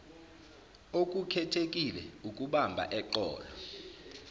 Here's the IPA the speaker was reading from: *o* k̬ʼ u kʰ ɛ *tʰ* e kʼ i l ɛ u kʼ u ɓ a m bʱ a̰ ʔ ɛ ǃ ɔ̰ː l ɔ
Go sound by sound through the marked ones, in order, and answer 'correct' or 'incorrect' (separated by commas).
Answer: correct, correct